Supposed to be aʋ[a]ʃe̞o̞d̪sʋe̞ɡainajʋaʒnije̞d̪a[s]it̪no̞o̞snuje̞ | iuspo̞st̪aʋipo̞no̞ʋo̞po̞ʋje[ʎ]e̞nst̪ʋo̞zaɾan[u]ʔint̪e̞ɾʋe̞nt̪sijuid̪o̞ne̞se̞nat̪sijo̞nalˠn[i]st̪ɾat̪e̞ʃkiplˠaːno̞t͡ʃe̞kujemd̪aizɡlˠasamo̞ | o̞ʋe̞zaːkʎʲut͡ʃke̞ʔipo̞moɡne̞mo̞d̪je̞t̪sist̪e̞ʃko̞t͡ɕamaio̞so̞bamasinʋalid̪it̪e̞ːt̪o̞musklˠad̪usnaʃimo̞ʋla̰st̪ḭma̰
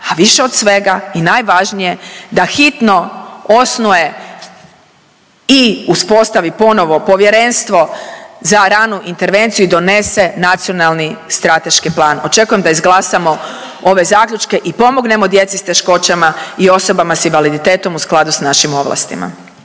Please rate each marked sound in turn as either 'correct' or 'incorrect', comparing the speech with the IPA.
incorrect: i, incorrect: x, incorrect: ɾ, correct, correct

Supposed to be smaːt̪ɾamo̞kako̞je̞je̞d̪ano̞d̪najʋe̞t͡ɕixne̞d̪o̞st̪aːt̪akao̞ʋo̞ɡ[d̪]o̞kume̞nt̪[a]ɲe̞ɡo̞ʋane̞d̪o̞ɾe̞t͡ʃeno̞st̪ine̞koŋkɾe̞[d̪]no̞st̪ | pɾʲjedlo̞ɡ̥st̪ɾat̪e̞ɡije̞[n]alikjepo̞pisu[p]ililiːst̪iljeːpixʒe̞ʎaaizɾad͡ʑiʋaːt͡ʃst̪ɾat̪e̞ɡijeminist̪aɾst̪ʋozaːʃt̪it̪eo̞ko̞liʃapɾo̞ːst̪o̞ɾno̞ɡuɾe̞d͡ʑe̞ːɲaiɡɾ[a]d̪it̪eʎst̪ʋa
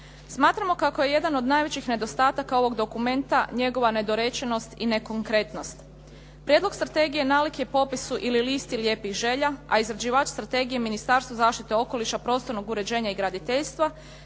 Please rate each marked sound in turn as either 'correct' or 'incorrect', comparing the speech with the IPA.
correct, correct, incorrect: t̪, correct, incorrect: ʔ, correct

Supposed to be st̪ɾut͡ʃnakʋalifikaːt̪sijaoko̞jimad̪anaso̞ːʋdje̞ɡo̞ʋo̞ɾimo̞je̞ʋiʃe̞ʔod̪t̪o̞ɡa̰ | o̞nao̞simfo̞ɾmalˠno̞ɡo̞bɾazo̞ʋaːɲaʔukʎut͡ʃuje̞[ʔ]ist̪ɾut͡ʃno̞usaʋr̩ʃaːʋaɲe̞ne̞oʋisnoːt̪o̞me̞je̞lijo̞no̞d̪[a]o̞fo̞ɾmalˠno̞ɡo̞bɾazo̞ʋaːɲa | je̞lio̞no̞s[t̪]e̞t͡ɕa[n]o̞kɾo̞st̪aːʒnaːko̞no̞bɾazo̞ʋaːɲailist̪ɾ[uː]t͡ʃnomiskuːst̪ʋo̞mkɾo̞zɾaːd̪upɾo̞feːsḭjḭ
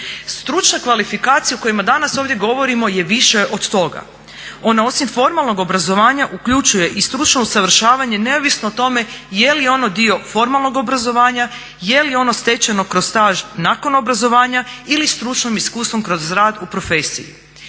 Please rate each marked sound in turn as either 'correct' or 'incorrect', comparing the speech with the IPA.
correct, incorrect: i, correct, correct, incorrect: u

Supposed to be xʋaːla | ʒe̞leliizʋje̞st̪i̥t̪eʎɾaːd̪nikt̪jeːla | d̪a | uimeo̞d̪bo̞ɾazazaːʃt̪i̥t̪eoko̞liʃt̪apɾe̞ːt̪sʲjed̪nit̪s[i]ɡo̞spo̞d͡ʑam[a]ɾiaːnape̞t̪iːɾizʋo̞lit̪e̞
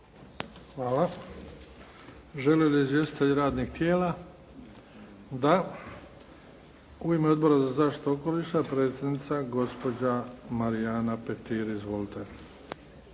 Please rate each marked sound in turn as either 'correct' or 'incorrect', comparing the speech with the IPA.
incorrect: a, correct

